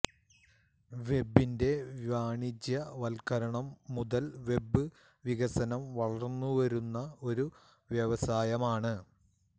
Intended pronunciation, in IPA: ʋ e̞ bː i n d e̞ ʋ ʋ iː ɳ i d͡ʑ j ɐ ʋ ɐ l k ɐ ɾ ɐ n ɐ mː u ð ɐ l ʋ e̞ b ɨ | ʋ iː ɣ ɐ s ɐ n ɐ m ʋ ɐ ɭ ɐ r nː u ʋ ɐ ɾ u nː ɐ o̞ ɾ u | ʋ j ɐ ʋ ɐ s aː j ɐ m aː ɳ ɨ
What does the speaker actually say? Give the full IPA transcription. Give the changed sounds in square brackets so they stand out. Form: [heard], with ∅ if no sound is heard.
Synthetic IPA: ʋ e̞ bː i n d e̞ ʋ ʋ [aː] ɳ i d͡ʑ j ɐ ʋ ɐ l k ɐ ɾ ɐ [ɳ] ɐ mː u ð ɐ l ʋ e̞ b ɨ | ʋ [i] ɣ ɐ s ɐ n ɐ m ʋ ɐ ɭ ɐ r nː u ʋ ɐ ɾ u nː ɐ o̞ ɾ u | ʋ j ɐ ʋ ɐ s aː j ɐ m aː ɳ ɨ